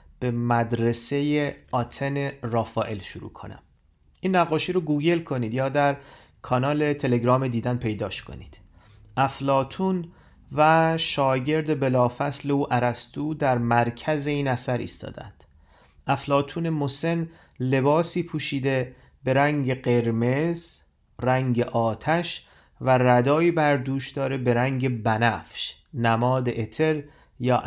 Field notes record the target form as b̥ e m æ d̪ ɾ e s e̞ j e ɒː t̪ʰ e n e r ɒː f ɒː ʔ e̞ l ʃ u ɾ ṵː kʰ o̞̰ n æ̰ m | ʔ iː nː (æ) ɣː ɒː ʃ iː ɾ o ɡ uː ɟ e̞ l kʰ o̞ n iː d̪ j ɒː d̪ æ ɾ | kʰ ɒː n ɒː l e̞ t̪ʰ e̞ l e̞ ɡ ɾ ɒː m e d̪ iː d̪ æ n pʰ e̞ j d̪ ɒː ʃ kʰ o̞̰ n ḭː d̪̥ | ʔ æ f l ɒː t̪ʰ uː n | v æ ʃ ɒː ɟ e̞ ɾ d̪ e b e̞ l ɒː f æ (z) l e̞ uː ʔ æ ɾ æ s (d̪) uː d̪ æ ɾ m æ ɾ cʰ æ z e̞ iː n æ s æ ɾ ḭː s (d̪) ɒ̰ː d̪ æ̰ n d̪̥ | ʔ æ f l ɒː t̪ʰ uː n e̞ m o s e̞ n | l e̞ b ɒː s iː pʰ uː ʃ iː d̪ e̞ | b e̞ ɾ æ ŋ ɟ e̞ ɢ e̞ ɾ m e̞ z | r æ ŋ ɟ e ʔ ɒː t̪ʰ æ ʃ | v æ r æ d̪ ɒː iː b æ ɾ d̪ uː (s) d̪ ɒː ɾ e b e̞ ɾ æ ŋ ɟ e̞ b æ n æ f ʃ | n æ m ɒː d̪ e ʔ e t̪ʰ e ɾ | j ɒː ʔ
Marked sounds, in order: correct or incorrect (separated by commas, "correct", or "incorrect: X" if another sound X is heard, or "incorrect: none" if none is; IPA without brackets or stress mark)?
correct, incorrect: s, incorrect: t̪, incorrect: t̪, incorrect: ʃ